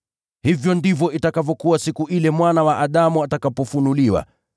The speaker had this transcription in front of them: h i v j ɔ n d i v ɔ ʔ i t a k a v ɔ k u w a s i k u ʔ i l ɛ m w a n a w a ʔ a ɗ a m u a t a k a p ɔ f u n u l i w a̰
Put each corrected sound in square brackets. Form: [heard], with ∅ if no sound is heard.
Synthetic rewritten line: h i v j ɔ n d i v ɔ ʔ i t a k a v ɔ k u w a s i k u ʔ i l ɛ m w a n a w a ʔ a ɗ a m u a t a k a p ɔ f u n u l i w a̰